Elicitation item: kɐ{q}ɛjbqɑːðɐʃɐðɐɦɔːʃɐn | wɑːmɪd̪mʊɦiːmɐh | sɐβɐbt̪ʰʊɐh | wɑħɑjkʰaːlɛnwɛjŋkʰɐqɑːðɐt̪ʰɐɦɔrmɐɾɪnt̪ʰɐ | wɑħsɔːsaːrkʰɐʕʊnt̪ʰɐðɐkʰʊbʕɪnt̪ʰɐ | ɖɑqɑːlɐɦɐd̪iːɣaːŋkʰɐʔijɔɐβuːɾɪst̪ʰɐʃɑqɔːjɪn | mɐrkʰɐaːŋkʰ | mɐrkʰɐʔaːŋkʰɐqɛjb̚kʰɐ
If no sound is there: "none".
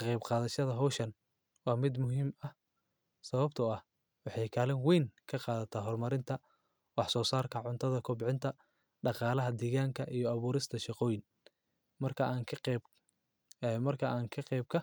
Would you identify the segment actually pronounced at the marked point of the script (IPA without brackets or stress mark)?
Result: q